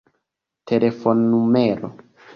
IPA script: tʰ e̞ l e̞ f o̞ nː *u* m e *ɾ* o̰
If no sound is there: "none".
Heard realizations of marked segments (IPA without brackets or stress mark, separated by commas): u, ɾ